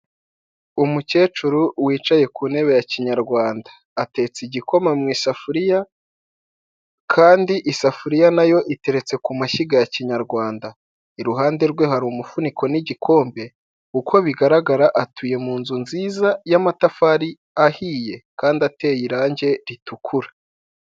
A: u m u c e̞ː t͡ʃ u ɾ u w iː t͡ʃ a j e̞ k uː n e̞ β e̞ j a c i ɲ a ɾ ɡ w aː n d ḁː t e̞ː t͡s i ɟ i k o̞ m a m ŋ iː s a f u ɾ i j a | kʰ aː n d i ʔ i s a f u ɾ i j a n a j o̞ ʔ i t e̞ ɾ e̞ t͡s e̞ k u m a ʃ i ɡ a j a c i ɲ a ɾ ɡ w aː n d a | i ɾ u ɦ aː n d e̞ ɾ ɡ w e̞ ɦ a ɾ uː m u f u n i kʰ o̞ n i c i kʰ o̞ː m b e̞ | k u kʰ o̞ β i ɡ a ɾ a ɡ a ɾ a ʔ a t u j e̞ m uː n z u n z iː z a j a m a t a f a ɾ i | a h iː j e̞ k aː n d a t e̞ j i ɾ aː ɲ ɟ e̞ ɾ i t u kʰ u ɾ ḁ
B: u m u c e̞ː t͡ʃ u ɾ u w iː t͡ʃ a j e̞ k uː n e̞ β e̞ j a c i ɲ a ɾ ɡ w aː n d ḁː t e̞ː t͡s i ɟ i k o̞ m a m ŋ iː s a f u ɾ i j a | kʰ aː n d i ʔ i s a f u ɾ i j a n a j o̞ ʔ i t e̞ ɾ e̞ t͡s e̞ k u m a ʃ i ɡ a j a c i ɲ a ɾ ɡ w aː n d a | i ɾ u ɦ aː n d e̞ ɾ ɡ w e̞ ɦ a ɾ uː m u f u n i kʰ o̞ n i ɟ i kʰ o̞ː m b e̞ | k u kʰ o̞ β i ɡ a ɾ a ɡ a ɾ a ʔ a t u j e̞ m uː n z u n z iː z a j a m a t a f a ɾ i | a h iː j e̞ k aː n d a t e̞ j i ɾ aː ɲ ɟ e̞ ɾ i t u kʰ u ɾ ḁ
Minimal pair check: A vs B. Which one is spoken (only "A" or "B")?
B